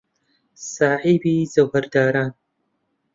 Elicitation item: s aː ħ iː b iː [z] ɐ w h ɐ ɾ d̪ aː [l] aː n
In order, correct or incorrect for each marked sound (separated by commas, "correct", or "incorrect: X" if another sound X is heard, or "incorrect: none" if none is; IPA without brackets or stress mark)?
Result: correct, incorrect: ɾ